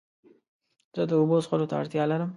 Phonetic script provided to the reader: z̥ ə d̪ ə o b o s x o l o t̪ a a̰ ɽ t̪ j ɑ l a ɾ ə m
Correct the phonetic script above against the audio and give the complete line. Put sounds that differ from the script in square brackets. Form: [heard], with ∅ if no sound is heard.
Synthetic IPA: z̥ ə d̪ ə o b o s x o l o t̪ a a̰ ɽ t̪ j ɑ l a ɾ ə m